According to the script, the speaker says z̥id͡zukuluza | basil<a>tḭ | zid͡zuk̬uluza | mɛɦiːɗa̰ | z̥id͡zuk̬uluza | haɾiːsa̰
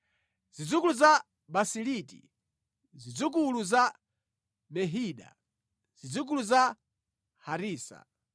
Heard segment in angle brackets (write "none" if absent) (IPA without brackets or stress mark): i